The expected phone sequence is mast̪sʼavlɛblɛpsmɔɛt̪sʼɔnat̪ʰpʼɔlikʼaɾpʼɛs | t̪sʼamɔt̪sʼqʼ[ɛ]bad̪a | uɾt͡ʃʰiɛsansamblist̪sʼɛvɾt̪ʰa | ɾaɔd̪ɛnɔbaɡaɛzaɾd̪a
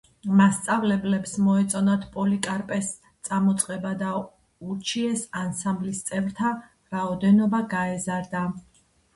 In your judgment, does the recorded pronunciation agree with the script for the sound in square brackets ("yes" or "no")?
yes